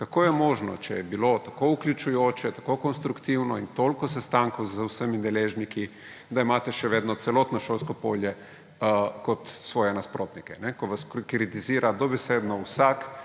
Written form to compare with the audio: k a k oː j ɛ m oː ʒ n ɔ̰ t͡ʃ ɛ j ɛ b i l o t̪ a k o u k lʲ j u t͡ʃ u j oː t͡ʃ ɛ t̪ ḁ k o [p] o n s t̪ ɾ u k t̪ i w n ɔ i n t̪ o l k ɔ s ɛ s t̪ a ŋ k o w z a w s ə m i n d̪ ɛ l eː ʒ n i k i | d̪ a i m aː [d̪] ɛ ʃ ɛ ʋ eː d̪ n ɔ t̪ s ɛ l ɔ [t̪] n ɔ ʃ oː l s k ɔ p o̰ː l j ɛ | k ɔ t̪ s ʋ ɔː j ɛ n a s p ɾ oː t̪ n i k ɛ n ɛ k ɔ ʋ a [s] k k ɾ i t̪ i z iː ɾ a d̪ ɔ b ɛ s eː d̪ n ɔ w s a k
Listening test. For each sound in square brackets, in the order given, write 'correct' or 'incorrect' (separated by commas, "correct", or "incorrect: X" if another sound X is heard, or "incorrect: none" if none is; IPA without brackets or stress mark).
incorrect: k, incorrect: t̪, correct, correct